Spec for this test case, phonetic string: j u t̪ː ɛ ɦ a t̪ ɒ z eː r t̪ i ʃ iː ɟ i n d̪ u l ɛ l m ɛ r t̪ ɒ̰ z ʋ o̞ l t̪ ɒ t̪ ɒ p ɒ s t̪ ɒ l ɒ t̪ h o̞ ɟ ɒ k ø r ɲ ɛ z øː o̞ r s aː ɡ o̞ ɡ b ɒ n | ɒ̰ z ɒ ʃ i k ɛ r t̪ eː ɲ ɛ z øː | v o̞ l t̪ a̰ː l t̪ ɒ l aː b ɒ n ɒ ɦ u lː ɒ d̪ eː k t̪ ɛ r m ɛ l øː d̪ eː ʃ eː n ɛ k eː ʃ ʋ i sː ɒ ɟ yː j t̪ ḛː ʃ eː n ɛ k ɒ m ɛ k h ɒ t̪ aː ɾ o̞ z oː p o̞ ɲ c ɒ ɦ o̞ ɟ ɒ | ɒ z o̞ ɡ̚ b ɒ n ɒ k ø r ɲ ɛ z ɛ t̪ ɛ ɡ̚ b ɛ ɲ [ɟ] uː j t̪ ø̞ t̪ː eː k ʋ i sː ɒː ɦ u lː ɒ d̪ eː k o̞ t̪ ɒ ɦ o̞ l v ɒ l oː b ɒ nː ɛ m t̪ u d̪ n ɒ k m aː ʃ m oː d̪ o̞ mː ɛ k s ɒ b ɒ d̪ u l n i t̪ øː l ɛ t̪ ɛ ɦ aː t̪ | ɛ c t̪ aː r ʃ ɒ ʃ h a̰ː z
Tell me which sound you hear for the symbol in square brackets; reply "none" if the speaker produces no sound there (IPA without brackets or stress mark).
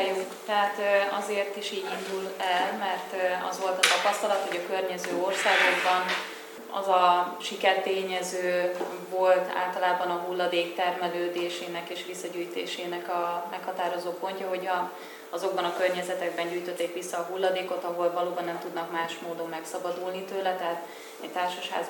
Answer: ɟ